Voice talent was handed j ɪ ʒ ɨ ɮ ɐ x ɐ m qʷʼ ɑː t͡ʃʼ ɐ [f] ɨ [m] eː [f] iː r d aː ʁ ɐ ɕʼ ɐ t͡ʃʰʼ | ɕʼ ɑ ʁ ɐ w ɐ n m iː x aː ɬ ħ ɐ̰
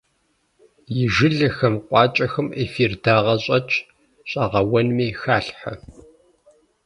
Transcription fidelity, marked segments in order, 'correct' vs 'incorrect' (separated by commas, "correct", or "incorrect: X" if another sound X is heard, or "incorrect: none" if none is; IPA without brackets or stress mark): incorrect: x, correct, correct